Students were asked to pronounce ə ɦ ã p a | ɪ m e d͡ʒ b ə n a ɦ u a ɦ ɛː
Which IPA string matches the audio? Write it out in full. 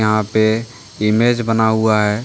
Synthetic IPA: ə ɦ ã p e | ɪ m e d͡ʒ b ə n a ɦ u a ɦ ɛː